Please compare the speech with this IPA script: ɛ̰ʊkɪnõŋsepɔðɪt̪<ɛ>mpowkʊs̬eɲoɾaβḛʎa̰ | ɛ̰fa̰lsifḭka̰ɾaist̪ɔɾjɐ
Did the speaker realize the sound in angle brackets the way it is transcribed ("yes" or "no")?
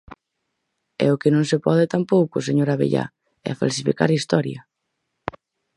no